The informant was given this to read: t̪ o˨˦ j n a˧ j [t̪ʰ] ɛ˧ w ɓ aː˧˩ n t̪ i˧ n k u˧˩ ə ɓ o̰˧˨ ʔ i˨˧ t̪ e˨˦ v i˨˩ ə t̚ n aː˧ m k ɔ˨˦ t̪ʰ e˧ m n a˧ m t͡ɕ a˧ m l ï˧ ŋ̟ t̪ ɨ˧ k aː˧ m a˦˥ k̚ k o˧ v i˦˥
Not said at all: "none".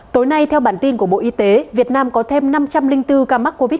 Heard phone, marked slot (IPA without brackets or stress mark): t̪ʰ